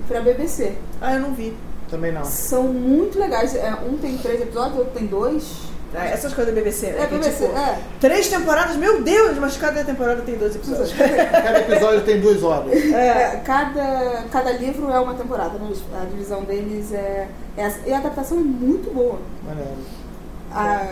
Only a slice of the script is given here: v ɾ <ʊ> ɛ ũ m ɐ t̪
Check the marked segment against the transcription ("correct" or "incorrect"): correct